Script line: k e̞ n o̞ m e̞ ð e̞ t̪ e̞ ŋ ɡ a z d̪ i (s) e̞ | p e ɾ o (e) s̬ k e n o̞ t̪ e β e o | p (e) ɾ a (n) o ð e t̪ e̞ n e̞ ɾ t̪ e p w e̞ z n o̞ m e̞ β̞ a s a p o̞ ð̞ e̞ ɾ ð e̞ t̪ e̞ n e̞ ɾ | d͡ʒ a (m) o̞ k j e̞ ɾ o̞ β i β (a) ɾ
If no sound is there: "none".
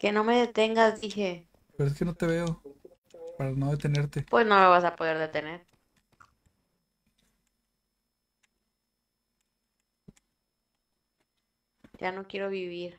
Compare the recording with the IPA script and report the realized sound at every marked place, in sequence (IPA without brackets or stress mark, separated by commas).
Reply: x, e, a, n, n, i